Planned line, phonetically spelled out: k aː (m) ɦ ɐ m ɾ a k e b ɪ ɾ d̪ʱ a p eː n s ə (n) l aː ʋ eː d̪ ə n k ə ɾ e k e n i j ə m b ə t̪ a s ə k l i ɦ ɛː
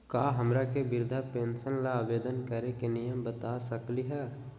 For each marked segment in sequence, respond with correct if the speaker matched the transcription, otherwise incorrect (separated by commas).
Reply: incorrect, correct